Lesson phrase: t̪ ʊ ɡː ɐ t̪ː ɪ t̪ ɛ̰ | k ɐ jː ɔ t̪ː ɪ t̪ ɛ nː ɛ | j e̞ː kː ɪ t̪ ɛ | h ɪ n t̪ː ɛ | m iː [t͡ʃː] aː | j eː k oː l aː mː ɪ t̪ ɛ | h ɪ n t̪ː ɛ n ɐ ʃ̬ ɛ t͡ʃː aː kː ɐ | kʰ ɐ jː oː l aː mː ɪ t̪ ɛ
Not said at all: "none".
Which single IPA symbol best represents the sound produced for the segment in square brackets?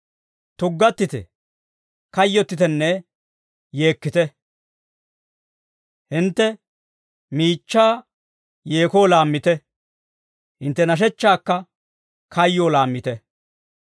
t͡ʃː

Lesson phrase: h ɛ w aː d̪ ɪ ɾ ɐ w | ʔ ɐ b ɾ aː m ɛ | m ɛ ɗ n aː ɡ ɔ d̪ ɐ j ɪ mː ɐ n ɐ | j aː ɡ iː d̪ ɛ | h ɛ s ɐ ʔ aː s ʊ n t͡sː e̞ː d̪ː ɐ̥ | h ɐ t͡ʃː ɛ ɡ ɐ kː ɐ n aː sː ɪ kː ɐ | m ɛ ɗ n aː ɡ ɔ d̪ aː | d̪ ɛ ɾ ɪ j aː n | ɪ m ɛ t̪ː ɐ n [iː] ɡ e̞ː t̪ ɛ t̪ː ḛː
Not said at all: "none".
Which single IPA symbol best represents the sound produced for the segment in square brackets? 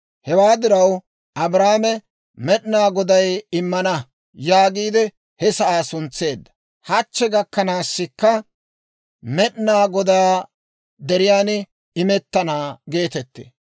aː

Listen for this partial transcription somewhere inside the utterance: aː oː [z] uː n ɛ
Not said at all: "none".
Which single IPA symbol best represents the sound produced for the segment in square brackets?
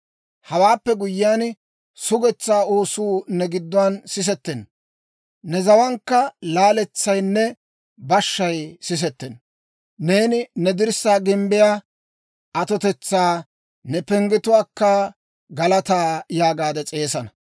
s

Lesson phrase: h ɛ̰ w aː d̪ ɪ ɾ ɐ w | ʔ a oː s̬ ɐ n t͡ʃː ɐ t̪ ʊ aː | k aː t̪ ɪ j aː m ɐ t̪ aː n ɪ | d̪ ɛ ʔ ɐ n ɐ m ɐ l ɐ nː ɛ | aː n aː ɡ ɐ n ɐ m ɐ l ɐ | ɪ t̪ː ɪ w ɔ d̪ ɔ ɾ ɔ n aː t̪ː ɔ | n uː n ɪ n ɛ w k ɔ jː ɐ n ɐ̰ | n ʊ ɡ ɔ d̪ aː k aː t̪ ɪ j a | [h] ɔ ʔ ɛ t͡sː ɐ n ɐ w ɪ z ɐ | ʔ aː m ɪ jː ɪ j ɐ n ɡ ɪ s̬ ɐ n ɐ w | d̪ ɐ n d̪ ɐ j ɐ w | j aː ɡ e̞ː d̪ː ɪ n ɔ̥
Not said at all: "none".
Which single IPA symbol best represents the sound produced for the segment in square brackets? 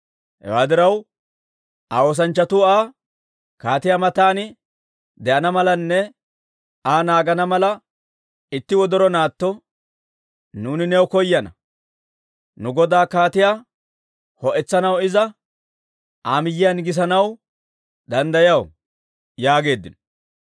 h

